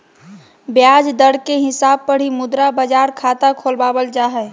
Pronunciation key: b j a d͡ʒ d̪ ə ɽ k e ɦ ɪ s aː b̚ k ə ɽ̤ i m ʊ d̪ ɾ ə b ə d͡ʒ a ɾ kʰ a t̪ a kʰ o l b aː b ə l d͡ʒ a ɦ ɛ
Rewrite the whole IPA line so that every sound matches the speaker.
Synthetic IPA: b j a d͡ʒ d̪ ə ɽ k e ɦ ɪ s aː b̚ p ə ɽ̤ i m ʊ d̪ ɾ a b ə d͡ʒ a ɾ kʰ a t̪ a kʰ o l b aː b ə l d͡ʒ a ɦ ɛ